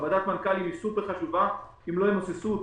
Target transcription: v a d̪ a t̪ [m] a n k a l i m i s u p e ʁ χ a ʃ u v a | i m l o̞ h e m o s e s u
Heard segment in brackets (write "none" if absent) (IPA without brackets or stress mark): m